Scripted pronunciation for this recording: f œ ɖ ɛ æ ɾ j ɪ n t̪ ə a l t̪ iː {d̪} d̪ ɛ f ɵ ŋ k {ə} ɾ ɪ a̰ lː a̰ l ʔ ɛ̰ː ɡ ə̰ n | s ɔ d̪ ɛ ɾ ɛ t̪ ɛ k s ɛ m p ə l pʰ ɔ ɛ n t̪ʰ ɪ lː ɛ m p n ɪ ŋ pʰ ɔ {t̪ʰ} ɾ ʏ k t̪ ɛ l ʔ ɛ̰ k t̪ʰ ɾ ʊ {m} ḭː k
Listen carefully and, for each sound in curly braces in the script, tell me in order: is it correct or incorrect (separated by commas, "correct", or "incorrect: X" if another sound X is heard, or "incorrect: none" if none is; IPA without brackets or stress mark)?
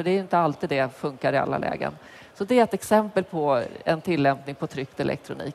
correct, incorrect: a, correct, incorrect: n